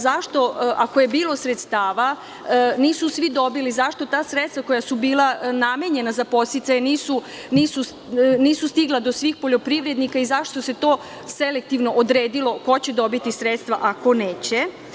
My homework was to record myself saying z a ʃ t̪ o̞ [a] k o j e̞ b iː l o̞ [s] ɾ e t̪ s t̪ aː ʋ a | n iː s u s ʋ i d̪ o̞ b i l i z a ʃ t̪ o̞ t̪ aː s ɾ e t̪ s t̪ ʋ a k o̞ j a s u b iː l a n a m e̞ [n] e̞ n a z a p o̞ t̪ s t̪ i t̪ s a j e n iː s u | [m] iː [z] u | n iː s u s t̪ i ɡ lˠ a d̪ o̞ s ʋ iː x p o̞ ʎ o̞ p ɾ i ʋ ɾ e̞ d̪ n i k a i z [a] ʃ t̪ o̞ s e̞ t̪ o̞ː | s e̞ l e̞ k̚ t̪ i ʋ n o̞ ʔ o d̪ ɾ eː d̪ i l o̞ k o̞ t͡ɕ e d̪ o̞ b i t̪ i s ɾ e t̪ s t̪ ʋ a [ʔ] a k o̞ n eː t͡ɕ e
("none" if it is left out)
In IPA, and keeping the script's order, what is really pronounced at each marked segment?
a, s, ɲ, n, s, a, ʔ

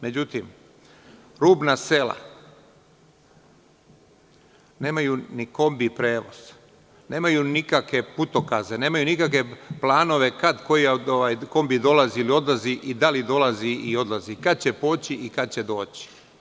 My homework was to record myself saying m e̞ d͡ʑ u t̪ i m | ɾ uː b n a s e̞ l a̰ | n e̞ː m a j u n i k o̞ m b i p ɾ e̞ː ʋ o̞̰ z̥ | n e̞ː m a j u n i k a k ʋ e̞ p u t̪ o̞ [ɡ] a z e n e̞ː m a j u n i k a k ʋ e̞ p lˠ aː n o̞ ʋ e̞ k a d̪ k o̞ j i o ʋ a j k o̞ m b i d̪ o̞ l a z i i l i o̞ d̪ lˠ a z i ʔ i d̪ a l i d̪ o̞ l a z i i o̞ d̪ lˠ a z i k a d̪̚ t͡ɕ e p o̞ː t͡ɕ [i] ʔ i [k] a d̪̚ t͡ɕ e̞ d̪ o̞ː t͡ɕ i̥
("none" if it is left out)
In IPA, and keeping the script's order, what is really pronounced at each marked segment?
k, i, k

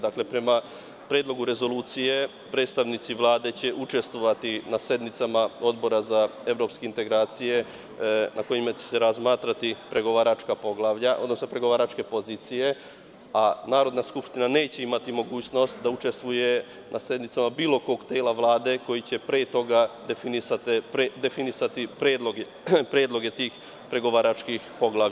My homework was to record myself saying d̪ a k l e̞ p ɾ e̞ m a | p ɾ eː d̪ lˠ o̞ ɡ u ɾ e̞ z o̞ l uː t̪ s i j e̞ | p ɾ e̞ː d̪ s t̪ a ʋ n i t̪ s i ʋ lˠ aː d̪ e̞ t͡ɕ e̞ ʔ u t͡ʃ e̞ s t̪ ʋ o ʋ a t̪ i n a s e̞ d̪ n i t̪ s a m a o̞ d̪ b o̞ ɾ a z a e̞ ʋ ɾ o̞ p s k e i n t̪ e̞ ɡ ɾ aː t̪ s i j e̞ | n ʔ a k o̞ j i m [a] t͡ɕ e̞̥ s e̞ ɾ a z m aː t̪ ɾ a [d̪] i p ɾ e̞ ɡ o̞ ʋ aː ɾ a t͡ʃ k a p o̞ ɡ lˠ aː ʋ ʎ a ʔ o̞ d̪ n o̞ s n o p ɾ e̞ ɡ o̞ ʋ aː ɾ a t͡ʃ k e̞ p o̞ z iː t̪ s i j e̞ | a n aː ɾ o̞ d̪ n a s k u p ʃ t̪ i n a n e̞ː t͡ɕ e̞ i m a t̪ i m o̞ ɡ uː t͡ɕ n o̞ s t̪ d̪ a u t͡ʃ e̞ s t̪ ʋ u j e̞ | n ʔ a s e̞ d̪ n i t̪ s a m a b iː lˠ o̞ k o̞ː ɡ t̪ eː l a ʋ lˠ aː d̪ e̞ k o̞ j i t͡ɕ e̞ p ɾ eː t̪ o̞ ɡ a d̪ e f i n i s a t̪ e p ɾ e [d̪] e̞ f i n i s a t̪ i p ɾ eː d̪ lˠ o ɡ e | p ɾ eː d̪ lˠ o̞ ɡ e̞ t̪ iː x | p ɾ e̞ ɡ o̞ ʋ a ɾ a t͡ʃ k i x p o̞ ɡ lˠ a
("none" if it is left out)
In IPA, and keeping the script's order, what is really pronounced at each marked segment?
a, t̪, d̪

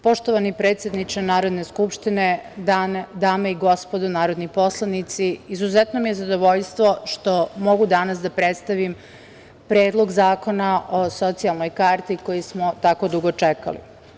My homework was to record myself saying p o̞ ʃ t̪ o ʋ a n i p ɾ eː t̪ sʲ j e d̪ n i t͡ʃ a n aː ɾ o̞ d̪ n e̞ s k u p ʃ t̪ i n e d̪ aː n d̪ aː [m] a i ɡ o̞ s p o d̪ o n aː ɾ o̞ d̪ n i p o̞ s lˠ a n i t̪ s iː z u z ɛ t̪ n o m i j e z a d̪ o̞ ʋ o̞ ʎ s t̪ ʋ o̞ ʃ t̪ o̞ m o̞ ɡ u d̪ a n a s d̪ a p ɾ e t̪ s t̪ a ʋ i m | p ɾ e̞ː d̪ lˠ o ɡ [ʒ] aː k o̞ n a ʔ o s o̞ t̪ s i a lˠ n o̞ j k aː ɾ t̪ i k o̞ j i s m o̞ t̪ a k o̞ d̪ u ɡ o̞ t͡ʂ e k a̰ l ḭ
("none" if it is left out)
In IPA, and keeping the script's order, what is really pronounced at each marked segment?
m, z

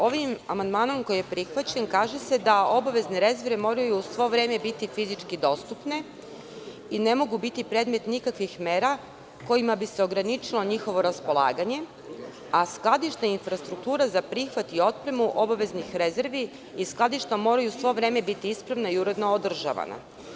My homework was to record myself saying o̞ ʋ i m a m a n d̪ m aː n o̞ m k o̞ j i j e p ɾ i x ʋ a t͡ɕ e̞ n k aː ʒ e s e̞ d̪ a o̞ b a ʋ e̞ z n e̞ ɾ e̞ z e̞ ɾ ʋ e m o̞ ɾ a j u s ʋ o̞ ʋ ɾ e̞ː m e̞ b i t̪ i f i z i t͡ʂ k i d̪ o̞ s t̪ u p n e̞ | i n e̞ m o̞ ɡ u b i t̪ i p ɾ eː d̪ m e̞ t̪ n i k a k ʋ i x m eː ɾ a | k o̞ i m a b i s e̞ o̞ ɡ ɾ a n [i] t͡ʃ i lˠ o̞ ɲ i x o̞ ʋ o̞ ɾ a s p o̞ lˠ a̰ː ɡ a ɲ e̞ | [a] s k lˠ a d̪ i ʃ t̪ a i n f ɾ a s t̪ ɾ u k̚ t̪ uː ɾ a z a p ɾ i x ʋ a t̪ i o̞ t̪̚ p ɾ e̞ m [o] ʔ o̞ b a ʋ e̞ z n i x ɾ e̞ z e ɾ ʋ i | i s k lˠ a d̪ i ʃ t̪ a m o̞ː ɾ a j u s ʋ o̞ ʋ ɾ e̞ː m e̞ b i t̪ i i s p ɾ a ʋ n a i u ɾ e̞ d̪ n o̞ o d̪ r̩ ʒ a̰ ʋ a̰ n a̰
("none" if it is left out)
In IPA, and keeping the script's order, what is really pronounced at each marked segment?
i, a, u

